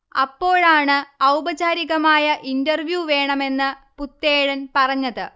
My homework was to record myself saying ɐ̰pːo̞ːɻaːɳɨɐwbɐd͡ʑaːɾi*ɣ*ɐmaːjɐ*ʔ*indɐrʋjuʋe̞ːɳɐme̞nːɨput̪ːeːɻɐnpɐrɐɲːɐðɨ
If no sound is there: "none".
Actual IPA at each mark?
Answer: ɣ, ʔ

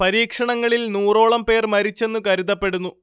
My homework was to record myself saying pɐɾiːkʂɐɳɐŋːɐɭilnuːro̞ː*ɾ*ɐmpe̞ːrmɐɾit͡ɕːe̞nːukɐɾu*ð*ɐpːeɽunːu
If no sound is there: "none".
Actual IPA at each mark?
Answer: ɭ, ð

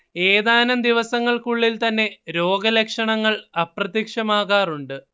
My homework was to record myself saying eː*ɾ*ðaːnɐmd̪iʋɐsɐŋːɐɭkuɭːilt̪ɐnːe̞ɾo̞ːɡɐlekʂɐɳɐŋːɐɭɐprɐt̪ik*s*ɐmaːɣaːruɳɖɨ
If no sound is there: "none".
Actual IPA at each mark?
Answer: none, ʂ

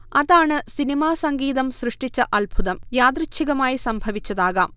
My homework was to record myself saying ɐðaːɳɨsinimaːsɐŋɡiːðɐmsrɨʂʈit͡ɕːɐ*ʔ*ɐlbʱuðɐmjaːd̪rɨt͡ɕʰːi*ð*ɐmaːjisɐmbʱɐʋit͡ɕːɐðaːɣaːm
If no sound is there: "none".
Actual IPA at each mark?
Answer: ʔ, ɣ

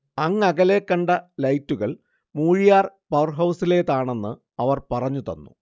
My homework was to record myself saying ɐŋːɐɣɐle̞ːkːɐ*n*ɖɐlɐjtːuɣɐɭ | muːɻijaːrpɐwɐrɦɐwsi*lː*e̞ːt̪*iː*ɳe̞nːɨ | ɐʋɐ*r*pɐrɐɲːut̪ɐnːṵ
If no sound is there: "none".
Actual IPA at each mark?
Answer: ɳ, l, aː, r

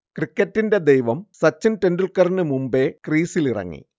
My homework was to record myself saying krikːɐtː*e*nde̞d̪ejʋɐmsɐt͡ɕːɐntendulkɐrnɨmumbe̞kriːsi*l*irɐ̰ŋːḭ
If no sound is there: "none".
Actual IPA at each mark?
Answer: i, l

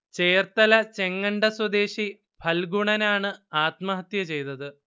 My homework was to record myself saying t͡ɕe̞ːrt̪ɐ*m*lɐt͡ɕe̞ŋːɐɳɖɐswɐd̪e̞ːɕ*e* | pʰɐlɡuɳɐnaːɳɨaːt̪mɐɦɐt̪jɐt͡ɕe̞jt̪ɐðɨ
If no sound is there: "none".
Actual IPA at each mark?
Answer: none, i

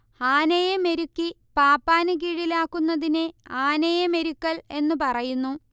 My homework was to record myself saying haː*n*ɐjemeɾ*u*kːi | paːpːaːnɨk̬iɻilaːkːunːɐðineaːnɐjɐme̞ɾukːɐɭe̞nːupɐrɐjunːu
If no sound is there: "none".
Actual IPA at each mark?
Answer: n, u

